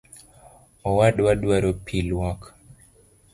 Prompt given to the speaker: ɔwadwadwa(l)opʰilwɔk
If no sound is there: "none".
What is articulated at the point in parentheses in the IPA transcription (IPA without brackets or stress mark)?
ɾ